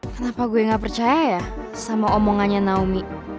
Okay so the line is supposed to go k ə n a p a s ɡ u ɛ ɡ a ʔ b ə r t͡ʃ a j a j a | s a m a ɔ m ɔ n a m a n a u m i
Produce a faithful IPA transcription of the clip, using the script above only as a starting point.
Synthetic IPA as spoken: k ə n a p a ɡ u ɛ ŋ a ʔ p ə r t͡ʃ a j a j a | s a m a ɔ m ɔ ŋ a ɲ a n a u m i